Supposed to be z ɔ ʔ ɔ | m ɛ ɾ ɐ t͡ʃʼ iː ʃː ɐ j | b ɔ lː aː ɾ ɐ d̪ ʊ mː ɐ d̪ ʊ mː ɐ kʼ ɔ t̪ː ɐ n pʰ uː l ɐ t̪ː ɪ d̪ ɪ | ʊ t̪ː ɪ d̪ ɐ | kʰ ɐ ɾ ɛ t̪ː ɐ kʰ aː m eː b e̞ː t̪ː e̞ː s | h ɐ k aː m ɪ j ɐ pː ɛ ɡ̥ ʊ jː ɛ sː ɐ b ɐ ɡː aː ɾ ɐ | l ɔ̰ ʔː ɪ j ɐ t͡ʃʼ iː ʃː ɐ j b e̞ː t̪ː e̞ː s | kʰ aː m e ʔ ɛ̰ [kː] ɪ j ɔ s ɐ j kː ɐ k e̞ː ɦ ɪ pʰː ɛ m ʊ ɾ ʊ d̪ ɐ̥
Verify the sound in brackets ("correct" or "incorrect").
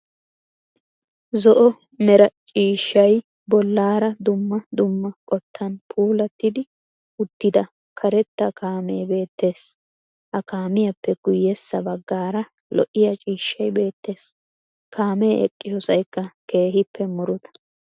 incorrect